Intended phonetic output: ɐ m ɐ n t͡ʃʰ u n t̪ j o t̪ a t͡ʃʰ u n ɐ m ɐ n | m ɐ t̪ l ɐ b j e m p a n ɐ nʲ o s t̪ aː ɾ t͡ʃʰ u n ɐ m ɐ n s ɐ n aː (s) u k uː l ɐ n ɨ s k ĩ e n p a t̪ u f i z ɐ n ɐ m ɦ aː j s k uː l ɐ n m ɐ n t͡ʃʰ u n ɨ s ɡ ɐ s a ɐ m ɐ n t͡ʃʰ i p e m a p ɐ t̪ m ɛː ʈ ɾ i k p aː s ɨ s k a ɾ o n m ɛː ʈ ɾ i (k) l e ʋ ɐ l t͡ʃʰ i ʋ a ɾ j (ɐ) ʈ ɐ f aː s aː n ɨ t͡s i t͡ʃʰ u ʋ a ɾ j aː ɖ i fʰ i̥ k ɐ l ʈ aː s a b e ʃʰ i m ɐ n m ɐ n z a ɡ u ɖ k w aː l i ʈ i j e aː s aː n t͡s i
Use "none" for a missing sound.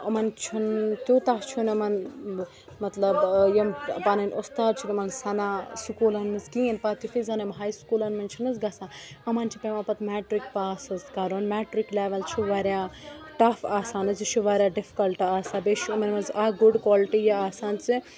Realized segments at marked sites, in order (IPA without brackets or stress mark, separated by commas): s, k, a